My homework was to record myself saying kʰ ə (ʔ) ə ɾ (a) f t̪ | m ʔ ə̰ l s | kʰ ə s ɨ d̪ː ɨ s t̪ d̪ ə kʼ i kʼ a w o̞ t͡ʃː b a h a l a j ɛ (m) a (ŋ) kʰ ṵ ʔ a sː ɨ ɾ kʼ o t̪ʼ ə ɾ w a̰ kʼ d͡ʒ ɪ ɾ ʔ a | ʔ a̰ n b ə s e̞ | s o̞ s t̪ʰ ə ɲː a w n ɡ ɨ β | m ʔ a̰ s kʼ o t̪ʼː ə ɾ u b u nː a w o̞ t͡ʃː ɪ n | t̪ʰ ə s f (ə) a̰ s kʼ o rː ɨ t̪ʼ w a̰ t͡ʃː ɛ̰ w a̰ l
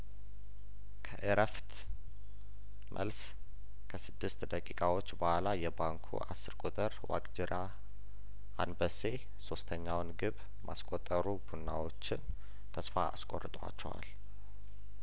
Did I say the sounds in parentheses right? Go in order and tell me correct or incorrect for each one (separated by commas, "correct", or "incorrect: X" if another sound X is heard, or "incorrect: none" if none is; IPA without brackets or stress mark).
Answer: correct, incorrect: ə, incorrect: b, correct, incorrect: a